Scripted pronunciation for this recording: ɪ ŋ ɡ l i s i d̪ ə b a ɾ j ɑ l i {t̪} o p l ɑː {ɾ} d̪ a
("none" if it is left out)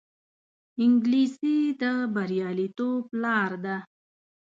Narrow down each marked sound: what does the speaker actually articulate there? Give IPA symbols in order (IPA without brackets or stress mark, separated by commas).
t̪, ɾ